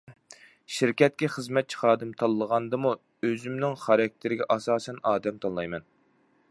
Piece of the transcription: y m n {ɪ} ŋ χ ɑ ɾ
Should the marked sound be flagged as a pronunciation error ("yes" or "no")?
no